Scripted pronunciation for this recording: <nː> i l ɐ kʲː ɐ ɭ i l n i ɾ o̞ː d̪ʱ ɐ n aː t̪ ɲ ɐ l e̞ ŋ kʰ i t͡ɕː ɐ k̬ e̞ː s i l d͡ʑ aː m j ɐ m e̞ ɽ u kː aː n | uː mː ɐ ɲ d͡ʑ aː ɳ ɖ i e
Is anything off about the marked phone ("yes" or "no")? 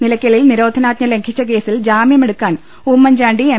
yes